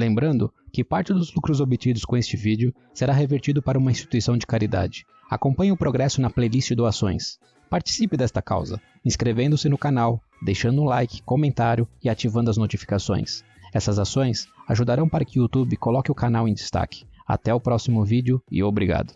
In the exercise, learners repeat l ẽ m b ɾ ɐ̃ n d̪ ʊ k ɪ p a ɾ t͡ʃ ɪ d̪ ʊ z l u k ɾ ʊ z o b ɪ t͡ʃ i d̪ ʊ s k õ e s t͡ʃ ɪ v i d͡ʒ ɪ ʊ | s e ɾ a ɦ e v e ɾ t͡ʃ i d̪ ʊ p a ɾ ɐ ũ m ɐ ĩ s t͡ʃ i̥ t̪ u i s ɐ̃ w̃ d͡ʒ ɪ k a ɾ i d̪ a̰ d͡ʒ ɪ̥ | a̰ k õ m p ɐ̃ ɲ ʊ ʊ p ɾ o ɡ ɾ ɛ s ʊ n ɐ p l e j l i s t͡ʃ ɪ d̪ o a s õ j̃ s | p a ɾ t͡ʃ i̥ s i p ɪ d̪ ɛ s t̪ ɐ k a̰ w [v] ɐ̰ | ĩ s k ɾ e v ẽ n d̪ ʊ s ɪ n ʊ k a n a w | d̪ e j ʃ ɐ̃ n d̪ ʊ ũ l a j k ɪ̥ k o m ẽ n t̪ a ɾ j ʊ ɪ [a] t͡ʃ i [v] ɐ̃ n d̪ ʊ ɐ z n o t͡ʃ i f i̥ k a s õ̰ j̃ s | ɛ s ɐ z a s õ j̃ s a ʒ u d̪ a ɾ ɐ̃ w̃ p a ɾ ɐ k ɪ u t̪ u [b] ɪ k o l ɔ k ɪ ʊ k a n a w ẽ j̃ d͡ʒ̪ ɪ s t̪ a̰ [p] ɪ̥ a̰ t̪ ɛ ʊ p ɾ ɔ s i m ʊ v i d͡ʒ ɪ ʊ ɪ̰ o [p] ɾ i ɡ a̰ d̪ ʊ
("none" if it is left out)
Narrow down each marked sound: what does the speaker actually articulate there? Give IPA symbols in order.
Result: z, a, v, b, k, b

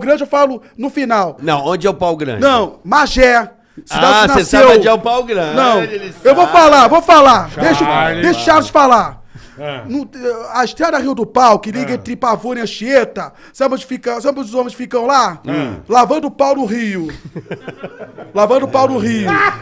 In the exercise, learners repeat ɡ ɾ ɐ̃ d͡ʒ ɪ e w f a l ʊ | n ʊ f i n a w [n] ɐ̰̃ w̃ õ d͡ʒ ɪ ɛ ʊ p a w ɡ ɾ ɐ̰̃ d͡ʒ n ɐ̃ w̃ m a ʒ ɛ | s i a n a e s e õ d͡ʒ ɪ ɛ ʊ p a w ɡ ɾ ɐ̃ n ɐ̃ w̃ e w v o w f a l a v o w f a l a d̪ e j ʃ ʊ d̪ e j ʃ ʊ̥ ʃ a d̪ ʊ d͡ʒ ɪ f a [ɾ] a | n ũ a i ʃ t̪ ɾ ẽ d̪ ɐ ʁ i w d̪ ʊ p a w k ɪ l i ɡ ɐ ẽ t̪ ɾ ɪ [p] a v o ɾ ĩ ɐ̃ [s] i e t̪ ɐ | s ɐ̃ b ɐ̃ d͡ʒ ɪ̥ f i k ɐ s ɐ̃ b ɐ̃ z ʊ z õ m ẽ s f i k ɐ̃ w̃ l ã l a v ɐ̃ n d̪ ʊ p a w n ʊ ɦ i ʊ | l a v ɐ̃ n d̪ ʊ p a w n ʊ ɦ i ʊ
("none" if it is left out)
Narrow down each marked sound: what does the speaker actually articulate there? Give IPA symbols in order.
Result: n, l, p, ʃ

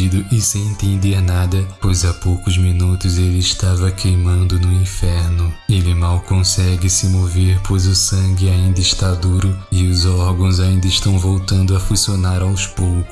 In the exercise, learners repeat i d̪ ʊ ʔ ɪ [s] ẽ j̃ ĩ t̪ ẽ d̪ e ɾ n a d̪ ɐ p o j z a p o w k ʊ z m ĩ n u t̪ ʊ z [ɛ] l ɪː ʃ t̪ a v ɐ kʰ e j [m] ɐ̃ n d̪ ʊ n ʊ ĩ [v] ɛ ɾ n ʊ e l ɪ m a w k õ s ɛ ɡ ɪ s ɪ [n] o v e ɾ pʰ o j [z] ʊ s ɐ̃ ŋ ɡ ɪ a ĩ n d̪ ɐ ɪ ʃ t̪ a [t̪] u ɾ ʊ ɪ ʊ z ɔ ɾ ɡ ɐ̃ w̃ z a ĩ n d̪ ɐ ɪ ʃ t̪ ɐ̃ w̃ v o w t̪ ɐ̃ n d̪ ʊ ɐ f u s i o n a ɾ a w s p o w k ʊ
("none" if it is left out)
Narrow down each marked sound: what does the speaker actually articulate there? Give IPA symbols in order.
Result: s, e, m, f, m, z, d̪

